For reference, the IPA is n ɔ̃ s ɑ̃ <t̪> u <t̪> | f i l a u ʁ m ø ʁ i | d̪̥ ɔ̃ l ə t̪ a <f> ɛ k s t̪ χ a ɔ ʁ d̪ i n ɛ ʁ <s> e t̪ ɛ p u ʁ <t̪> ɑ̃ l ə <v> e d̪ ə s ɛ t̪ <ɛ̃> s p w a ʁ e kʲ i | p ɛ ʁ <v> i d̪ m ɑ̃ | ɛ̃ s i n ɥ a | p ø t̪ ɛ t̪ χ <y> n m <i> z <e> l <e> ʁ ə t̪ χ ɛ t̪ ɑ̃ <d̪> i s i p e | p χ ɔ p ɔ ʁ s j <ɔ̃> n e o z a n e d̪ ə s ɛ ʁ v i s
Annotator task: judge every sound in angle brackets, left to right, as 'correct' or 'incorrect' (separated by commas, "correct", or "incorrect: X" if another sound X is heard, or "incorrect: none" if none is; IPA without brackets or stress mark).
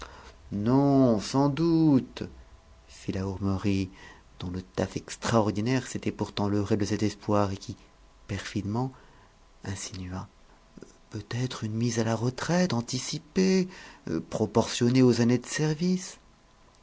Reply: incorrect: d̪, correct, correct, correct, correct, incorrect: ʁ, incorrect: ɛ, incorrect: f, correct, correct, incorrect: a, incorrect: a, incorrect: t̪, incorrect: ɔ